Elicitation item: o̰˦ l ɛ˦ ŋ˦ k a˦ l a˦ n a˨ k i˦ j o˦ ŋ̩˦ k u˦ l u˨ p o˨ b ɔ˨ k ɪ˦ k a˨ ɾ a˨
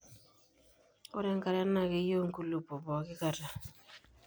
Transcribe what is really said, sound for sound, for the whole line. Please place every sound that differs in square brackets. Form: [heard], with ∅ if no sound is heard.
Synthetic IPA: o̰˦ [ɾ] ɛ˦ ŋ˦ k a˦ [ɾ] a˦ n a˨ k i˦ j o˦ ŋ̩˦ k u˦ l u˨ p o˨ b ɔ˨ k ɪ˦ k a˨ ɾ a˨